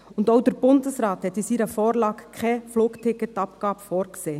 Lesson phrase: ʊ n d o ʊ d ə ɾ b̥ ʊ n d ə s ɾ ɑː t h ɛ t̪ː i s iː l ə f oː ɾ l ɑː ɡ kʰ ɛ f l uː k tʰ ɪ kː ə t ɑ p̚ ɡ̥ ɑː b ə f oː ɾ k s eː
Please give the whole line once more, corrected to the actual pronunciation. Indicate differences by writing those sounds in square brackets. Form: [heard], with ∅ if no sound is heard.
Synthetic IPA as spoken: ʊ n d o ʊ d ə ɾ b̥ ʊ n d ə s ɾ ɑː t h ɛ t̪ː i s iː [ɾ] ə f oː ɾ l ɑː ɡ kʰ ɛ f l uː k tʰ ɪ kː ə t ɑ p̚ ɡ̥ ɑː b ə f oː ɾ k s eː